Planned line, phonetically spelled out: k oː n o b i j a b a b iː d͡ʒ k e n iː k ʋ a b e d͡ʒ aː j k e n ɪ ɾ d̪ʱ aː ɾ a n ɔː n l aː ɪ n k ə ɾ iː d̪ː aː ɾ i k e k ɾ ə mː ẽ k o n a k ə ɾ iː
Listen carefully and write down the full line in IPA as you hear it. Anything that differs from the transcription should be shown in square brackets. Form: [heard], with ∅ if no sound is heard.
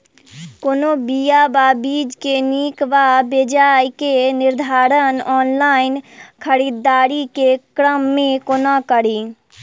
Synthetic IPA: k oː n o b i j a b a b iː d͡ʒ k e n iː k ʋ a b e d͡ʒ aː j k e n ɪ ɾ d̪ʱ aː ɾ [ə] n ɔː n l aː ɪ n [kʰ] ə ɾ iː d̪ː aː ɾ i k e k ɾ ə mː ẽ k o n a k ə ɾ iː

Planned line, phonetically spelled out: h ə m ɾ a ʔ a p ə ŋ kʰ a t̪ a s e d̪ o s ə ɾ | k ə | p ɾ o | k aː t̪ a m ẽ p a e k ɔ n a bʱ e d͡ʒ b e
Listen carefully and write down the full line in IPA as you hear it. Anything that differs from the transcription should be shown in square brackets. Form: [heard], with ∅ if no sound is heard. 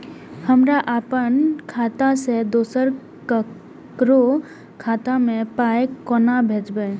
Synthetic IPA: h ə m ɾ a ʔ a p ə [n] kʰ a t̪ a s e d̪ o s ə ɾ | k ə | [k] ɾ o | [kʰ] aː t̪ a m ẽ p a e k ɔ n a bʱ e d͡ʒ b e

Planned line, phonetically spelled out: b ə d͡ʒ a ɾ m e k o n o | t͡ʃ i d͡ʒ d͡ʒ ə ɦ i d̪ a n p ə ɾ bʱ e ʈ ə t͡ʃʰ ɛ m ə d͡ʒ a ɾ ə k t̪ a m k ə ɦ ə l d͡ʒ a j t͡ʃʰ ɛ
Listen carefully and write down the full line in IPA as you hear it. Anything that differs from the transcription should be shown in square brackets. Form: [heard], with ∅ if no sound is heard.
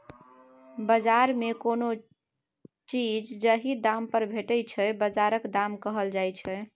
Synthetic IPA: b ə d͡ʒ a ɾ m e k o n o | t͡ʃ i d͡ʒ d͡ʒ ə ɦ i d̪ a [m] p ə ɾ bʱ e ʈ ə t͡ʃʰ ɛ [b] ə d͡ʒ a ɾ ə k [d̪] a m k ə ɦ ə l d͡ʒ a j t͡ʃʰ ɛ

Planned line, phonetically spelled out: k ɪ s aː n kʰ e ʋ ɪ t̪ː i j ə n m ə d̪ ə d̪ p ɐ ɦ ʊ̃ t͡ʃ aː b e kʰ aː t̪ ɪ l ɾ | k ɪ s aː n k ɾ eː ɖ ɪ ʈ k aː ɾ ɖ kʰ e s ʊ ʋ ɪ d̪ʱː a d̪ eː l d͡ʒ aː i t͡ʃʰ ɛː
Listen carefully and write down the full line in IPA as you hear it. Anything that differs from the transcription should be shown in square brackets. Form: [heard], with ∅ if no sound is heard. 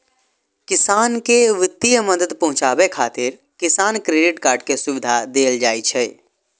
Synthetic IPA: k ɪ s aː n [k] e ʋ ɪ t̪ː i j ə [∅] m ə d̪ ə d̪ p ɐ ɦ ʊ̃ t͡ʃ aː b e kʰ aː t̪ ɪ [∅] ɾ | k ɪ s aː n k ɾ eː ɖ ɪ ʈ k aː ɾ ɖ [k] e s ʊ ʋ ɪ [d̪ʱ] a d̪ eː l d͡ʒ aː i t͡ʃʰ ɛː

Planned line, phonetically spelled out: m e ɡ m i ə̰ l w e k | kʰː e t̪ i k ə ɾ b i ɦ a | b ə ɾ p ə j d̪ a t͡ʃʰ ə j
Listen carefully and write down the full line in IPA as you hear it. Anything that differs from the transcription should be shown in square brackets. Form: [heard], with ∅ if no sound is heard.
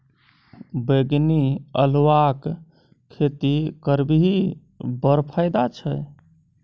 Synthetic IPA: [b] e ɡ [n] i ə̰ l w [a] k | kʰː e t̪ i k ə ɾ b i ɦ [i] | b ə ɾ [pʰ] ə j d̪ a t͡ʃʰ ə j

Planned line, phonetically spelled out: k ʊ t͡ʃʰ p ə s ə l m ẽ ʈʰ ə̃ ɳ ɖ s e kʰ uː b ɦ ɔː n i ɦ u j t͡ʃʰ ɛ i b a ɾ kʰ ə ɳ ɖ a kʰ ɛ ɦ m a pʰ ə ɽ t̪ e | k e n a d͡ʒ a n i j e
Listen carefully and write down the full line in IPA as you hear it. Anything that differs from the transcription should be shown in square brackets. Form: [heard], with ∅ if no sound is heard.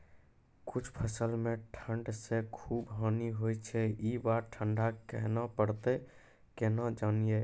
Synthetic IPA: k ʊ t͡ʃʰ [pʰ] ə s ə l m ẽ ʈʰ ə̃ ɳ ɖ s e kʰ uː b ɦ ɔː n i ɦ [o] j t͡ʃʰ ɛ i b a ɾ [ʈʰ] ə ɳ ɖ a [k] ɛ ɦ [n] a [p] ə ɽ t̪ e | k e n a d͡ʒ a n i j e

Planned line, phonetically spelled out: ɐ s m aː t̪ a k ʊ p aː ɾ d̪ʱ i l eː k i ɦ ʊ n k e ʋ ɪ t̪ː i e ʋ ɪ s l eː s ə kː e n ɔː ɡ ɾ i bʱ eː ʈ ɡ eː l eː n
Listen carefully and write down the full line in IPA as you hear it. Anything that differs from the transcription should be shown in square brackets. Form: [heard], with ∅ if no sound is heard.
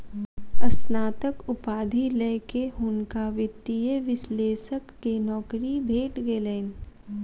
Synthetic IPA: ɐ s [n] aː t̪ [ə] k ʊ p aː [∅] d̪ʱ i l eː k [e] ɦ ʊ n k [a] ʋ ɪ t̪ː i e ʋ ɪ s l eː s ə kː e n ɔː [k] ɾ i bʱ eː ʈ ɡ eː l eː n

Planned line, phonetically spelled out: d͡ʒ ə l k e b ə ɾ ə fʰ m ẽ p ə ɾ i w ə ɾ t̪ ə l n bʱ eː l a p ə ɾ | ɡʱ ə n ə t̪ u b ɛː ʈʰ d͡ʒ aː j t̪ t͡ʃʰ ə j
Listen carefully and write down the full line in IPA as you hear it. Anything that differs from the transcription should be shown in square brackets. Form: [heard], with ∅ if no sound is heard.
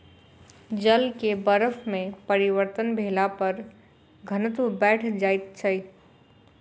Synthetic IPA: d͡ʒ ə l k e b ə ɾ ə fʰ m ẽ p ə ɾ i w ə ɾ t̪ ə [∅] n bʱ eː l a p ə ɾ | ɡʱ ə n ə t̪ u b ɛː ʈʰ d͡ʒ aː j t̪ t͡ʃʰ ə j

